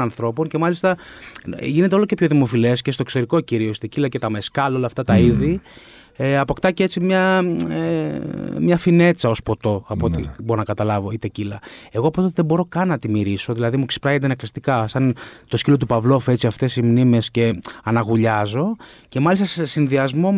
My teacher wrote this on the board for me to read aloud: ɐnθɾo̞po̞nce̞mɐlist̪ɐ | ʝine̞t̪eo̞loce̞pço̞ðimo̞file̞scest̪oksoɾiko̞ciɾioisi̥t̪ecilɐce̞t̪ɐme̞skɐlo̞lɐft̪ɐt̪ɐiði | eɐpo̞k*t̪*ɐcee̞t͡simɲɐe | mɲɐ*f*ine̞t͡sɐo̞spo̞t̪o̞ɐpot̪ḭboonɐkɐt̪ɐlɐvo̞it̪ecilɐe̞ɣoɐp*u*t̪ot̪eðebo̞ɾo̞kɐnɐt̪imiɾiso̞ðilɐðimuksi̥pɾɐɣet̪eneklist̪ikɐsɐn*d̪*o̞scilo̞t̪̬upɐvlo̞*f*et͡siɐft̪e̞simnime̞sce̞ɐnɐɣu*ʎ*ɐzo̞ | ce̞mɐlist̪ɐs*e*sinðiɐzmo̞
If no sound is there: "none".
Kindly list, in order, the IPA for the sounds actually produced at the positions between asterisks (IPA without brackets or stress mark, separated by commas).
t̪, f, o, t̪, f, ʎ, e